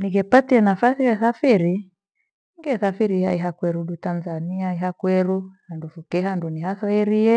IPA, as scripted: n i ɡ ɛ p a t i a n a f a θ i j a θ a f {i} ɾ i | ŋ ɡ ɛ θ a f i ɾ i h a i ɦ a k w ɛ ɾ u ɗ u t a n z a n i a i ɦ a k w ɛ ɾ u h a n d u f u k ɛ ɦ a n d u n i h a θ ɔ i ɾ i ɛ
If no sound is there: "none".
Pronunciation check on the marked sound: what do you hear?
i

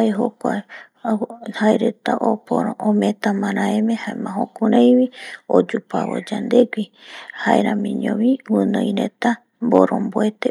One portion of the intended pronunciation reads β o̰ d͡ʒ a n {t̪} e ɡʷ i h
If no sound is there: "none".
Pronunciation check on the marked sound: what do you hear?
d̪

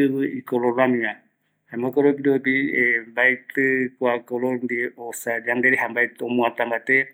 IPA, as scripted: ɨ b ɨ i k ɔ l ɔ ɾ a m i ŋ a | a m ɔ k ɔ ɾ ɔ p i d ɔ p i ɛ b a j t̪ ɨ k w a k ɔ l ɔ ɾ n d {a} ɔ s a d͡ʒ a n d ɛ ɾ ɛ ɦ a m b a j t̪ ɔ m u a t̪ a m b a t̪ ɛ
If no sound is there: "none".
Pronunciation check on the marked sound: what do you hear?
i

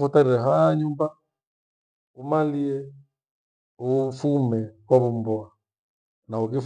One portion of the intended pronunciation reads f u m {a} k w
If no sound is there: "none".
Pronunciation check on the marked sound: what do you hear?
ɛ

